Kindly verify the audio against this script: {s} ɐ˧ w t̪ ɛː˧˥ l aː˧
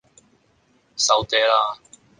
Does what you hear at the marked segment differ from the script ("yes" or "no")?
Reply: no